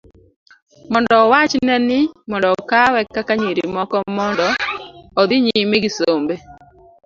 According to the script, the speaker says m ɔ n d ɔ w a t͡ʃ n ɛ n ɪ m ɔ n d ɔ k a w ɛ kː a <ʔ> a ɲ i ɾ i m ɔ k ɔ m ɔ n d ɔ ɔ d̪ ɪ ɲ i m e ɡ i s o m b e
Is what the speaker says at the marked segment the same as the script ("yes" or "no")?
no